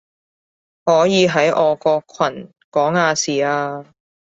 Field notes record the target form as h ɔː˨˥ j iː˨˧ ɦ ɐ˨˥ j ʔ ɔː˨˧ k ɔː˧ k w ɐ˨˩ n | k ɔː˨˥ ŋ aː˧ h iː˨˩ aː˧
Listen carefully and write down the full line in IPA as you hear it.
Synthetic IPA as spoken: h ɔː˨˥ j iː˨˧ ɦ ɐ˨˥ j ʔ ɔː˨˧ k ɔː˧ kʰ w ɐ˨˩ n | k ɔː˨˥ ŋ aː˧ s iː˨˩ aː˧